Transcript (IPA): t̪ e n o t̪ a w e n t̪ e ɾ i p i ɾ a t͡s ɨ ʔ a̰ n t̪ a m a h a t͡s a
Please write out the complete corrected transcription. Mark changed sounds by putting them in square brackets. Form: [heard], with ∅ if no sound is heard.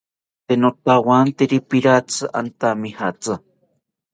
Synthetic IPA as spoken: t̪ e n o t̪ a w [a] n t̪ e ɾ i p i ɾ a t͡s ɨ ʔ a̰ n t̪ a m [i] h a t͡s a